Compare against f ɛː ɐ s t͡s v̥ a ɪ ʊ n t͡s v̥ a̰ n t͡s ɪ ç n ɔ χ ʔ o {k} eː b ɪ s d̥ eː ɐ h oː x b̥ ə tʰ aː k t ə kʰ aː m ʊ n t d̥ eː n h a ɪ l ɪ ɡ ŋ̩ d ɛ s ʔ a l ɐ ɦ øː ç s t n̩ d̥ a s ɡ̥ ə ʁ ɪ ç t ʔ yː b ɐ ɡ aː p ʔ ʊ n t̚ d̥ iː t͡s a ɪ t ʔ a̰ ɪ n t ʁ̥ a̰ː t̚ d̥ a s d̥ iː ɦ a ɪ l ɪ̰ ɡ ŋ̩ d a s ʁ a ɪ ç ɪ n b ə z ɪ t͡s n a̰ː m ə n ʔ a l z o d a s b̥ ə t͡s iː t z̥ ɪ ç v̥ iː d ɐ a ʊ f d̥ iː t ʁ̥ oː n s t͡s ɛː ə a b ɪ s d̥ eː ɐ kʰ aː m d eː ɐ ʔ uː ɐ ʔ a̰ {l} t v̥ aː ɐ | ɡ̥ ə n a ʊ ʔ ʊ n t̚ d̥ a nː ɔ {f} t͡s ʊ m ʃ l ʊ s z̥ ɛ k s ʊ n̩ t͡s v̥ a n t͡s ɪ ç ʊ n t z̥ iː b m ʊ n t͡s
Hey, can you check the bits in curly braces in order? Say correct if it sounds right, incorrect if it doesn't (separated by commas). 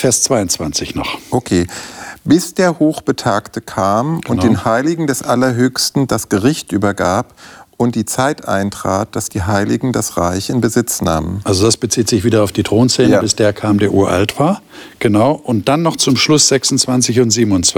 incorrect, correct, incorrect